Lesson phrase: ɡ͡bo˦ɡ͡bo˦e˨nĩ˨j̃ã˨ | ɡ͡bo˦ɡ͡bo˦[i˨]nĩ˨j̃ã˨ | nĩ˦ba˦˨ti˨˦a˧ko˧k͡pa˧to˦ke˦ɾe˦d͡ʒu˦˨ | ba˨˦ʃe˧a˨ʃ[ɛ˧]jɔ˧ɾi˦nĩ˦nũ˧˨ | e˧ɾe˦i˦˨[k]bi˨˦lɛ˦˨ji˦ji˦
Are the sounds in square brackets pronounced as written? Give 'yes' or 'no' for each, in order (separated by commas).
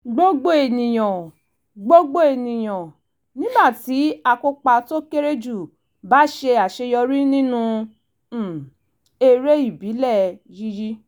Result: no, no, no